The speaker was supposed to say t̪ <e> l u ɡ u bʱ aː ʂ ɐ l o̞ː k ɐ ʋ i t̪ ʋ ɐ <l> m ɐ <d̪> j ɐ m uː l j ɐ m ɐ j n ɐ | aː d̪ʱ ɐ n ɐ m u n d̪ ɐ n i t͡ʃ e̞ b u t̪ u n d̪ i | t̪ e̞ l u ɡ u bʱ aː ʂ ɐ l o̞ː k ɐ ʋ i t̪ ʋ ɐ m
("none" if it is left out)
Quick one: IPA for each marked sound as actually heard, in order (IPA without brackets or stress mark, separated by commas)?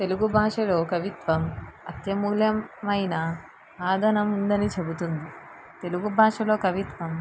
e, none, t̪